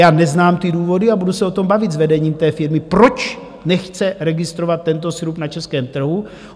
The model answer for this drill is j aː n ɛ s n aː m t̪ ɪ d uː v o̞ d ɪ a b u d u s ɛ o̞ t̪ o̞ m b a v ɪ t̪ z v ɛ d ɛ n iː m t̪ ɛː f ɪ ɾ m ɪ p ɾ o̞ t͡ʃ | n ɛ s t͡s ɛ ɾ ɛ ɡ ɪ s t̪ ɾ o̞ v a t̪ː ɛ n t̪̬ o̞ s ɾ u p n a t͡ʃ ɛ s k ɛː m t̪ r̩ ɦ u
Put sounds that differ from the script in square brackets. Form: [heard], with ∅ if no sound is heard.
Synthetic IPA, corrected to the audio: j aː n ɛ [z] n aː m t̪ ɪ d uː v o̞ d ɪ a b u d u s ɛ o̞ t̪ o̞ m b a v ɪ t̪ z v ɛ d ɛ [ɲ] iː m t̪ ɛː f ɪ ɾ m ɪ p ɾ o̞ t͡ʃ | n ɛ [x] t͡s ɛ ɾ ɛ ɡ ɪ s t̪ ɾ o̞ v a t̪ː ɛ n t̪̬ o̞ s ɾ u p n a t͡ʃ ɛ s k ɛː m t̪ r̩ ɦ u

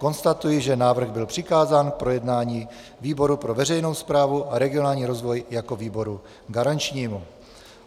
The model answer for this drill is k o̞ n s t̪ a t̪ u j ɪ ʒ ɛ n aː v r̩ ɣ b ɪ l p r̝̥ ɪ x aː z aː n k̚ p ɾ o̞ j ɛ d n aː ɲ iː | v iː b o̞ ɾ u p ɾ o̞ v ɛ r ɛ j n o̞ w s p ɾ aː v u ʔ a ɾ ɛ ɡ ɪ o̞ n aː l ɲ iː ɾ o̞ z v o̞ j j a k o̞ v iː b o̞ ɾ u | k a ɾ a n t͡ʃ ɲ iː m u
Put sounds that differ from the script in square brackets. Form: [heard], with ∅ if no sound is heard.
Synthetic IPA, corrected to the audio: k o̞ n s t̪ a t̪ u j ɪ ʒ ɛ n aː v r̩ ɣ b ɪ l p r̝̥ ɪ [k] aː z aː n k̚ p ɾ o̞ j ɛ d n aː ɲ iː | v iː b o̞ ɾ u p ɾ o̞ v ɛ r ɛ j n o̞ w s p ɾ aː v u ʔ a ɾ ɛ ɡ ɪ o̞ n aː l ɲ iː ɾ o̞ z v o̞ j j a k o̞ v iː b o̞ ɾ u | [ɡ] a ɾ a n t͡ʃ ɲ iː m u

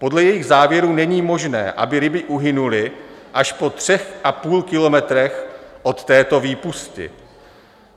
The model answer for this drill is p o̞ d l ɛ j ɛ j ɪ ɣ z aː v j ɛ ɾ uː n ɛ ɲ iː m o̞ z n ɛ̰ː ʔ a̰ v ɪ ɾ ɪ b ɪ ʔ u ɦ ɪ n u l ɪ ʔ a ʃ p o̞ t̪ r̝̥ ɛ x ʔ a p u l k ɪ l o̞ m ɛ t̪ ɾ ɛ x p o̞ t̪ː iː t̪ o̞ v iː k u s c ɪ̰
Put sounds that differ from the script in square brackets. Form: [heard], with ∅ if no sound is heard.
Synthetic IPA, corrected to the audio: p o̞ d l ɛ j ɛ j ɪ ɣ z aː v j ɛ ɾ uː n ɛ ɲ iː m o̞ [ʒ] n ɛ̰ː ʔ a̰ [b] ɪ ɾ ɪ b ɪ ʔ u ɦ ɪ n u l ɪ ʔ a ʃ p o̞ t̪ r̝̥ ɛ x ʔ a p [uː] l k ɪ l o̞ m ɛ t̪ ɾ ɛ x [ʔ] o̞ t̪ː [ɛː] t̪ o̞ v iː [p] u s c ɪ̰

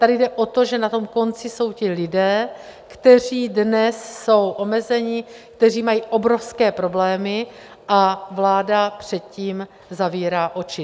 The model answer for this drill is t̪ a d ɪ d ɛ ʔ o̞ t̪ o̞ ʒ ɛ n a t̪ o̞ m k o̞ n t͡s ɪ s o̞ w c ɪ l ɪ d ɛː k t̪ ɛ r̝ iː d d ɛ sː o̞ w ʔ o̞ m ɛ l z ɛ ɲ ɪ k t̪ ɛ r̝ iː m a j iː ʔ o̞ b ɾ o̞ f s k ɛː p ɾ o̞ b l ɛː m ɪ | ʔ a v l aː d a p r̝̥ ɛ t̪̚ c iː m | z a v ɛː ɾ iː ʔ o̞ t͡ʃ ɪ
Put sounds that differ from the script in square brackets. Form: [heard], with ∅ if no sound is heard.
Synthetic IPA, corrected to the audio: t̪ a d ɪ d ɛ ʔ o̞ t̪ o̞ ʒ ɛ n a t̪ o̞ m k o̞ n t͡s ɪ s o̞ w c ɪ l ɪ d ɛː k t̪ ɛ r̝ iː d [n] ɛ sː o̞ w ʔ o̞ m ɛ [∅] z ɛ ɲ ɪ k t̪ ɛ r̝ iː m a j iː ʔ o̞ b ɾ o̞ f s k ɛː p ɾ o̞ b l ɛː m ɪ | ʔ a v l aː d a p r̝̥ ɛ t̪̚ c iː m | z a v [iː] ɾ [aː] ʔ o̞ t͡ʃ ɪ

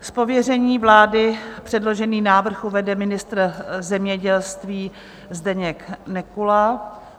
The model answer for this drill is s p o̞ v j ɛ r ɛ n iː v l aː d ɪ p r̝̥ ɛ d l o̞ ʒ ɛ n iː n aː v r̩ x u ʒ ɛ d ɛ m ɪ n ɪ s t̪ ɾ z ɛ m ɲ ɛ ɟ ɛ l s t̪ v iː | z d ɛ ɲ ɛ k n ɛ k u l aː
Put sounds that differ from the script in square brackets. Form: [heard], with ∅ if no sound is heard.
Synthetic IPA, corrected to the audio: s p o̞ v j ɛ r ɛ [ɲ] iː v l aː d ɪ p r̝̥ ɛ d l o̞ ʒ ɛ n iː n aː v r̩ x u [v] ɛ d ɛ m ɪ n ɪ s t̪ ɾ z ɛ m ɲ ɛ ɟ ɛ l s t̪ v iː | z d ɛ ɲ ɛ k n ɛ k u l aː

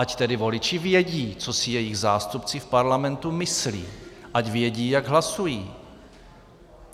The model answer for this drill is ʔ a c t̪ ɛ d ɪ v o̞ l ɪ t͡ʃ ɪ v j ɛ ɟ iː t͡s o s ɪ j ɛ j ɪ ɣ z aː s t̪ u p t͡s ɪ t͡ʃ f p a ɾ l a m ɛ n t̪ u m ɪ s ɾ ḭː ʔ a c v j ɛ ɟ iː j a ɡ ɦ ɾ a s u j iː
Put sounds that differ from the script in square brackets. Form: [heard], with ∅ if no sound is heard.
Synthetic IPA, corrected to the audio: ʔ a c t̪ ɛ d ɪ v o̞ l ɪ t͡ʃ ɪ v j ɛ ɟ iː t͡s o s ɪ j ɛ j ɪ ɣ z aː s t̪ u p t͡s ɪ [∅] f p a ɾ l a m ɛ n t̪ u m ɪ s [l] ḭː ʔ a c v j ɛ ɟ iː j a ɡ ɦ [l] a s u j iː

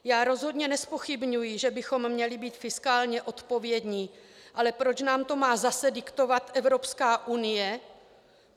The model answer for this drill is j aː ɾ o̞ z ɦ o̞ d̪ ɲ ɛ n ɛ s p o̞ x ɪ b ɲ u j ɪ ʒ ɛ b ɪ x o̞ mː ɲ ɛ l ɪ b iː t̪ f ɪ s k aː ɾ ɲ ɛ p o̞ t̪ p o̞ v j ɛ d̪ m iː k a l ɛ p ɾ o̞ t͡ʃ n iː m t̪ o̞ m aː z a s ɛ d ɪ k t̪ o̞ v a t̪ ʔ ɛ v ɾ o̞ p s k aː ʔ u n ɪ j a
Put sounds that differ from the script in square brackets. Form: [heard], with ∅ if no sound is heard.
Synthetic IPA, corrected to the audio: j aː ɾ o̞ z ɦ o̞ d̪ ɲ ɛ n ɛ s p o̞ x ɪ b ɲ u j ɪ ʒ ɛ b ɪ x o̞ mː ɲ ɛ l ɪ b iː t̪ f ɪ s k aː [l] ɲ ɛ [ʔ] o̞ t̪ p o̞ v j ɛ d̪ [ɲ] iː [ʔ] a l ɛ p ɾ o̞ t͡ʃ n [aː] m t̪ o̞ m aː z a s ɛ d ɪ k t̪ o̞ v a t̪ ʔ ɛ v ɾ o̞ p s k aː ʔ u n ɪ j [ɛ]

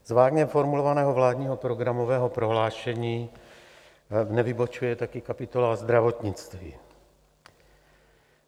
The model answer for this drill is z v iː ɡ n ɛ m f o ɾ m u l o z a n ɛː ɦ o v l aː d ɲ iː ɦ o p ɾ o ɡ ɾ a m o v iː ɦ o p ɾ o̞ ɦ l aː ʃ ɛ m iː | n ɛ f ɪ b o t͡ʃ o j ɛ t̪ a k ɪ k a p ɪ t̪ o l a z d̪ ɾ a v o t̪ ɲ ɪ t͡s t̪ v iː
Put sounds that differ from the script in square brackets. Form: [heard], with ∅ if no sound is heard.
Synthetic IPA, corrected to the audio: z v [aː] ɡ [ɲ] ɛ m f o ɾ m u l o [v] a n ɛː ɦ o v l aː d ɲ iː ɦ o p ɾ o ɡ ɾ a m o v [ɛː] ɦ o p ɾ o̞ ɦ l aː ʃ ɛ [ɲ] iː | n ɛ [v] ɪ b o t͡ʃ [u] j ɛ t̪ a k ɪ k a p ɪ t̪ o l a z d̪ ɾ a v o t̪ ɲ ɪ t͡s t̪ v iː

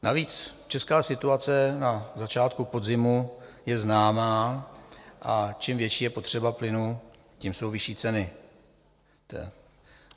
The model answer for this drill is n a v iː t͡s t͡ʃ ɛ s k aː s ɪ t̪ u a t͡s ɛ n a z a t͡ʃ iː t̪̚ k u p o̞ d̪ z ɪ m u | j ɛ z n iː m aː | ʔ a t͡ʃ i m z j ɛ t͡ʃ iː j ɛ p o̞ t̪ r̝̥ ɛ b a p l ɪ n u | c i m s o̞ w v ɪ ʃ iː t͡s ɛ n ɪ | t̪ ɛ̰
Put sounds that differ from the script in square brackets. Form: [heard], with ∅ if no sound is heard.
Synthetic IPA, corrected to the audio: n a v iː t͡s t͡ʃ ɛ s k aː s ɪ t̪ u a t͡s ɛ n a z a t͡ʃ [aː] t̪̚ k u p o̞ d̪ z ɪ m u | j ɛ z n [aː] m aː | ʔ a t͡ʃ i m [v] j ɛ t͡ʃ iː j ɛ p o̞ t̪ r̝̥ ɛ b a p l ɪ n u | c i m s o̞ w v ɪ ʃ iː t͡s ɛ n ɪ | t̪ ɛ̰

